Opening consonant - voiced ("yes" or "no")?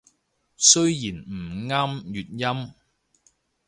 no